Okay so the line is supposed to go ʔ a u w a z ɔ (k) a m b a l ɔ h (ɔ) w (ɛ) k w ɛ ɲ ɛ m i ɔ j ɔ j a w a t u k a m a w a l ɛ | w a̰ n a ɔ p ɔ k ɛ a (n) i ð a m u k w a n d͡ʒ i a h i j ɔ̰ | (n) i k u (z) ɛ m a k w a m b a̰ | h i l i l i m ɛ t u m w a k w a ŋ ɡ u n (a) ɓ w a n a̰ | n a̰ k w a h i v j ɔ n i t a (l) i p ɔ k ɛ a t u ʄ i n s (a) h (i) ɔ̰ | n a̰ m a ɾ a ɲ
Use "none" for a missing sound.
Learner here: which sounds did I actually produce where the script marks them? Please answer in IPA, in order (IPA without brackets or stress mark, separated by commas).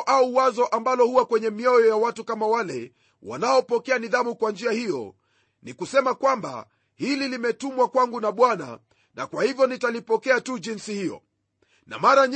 ʔ, u, a, n, n, s, a, l, i, i